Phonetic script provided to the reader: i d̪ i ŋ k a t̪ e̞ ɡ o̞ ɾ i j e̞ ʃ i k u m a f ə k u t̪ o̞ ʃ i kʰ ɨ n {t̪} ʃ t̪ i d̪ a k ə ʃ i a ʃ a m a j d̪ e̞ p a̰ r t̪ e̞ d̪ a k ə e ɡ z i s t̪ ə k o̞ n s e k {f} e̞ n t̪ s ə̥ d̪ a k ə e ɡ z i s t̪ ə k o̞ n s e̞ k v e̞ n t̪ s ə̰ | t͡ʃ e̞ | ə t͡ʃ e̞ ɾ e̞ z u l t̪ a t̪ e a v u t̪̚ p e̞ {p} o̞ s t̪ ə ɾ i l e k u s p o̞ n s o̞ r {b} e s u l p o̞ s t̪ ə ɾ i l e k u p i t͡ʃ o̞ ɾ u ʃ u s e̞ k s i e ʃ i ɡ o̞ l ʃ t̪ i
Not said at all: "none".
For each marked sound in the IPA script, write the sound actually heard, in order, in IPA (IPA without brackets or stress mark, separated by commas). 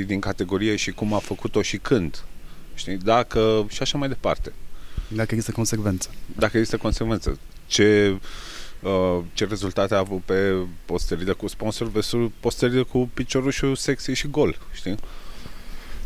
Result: d̪, v, p, v